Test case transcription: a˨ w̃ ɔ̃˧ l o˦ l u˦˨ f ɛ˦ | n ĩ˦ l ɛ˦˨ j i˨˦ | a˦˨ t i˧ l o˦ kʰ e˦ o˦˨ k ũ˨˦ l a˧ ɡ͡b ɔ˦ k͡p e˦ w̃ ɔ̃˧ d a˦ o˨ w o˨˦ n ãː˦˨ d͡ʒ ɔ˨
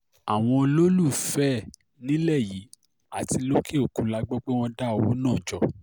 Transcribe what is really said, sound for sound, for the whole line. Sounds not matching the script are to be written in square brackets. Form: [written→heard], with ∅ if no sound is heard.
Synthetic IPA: a˨ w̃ ɔ̃˧ l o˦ l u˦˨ f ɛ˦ | n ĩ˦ l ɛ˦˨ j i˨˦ | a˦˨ t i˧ l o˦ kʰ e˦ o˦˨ k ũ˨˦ l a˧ ɡ͡b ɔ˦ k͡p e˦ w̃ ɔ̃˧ d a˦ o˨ w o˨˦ n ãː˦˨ d͡ʒ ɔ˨